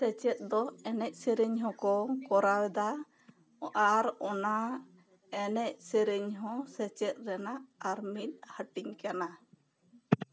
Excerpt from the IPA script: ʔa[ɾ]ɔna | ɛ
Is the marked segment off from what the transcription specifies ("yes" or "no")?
no